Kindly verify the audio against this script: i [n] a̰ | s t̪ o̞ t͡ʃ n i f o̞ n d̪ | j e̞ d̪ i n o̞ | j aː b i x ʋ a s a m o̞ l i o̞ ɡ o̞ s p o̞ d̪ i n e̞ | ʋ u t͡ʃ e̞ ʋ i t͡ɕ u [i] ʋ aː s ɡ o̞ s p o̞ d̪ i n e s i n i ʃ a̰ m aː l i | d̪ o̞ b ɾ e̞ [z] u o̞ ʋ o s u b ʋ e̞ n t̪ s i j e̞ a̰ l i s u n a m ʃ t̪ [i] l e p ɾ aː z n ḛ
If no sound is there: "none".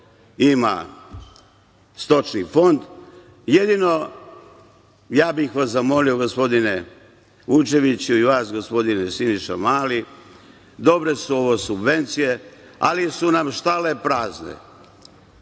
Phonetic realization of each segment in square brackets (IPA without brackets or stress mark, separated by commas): m, i, s, a